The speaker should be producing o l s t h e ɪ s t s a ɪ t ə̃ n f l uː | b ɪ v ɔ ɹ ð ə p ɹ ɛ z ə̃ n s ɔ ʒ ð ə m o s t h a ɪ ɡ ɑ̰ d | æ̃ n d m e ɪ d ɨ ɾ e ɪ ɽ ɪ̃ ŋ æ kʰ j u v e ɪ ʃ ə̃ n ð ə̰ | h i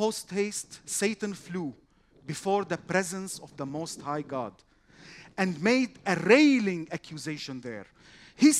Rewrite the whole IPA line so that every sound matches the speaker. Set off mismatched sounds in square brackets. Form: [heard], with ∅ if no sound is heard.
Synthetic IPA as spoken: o [∅] s t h e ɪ s t s [e] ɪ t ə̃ n f l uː | b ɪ [f] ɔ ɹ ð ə p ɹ ɛ z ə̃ n s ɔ [v] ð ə m o s t h a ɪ ɡ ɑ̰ d | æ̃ n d m e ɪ d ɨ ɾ e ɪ [l] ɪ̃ ŋ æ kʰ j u [z] e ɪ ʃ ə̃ n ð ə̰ | h i